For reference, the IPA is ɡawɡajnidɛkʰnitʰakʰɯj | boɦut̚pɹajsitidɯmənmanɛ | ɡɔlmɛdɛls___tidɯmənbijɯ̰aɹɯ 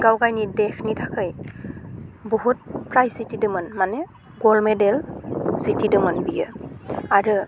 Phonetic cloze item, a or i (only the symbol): i